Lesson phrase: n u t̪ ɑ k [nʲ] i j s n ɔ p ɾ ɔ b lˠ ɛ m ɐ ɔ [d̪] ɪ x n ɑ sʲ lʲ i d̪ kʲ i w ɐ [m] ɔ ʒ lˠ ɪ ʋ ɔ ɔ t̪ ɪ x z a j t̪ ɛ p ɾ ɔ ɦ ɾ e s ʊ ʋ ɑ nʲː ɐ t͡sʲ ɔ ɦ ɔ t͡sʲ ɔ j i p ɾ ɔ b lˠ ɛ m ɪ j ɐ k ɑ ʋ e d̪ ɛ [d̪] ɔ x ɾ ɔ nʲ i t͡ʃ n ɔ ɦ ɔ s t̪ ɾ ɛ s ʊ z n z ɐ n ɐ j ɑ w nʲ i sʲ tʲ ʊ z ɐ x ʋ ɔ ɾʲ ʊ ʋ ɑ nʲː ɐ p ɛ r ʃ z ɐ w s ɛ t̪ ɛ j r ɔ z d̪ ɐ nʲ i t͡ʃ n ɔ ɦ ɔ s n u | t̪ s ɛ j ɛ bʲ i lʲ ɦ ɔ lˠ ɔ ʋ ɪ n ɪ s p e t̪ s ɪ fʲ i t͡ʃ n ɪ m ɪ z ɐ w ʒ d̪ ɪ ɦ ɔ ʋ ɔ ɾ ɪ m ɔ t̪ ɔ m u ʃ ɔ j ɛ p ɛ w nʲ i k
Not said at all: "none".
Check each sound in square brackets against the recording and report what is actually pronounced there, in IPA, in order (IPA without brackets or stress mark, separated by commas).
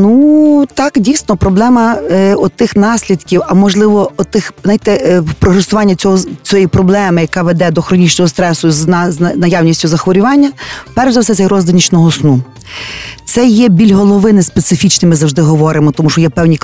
dʲ, t̪, m, d̪